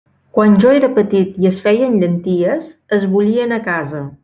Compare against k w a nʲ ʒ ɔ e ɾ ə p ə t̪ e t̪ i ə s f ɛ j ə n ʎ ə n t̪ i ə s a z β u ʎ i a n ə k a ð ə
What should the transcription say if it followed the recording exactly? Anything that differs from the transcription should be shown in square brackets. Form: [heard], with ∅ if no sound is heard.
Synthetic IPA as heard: k w a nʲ ʒ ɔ e ɾ ə p ə t̪ [i] t̪ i ə s f ɛ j ə n ʎ ə n t̪ i ə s [ə] z β u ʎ i [ə] n ə k a [z] ə